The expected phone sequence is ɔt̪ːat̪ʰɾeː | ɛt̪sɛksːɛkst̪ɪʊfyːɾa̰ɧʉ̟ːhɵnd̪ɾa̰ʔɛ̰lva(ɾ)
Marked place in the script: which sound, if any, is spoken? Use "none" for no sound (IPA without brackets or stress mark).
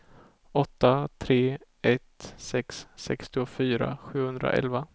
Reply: none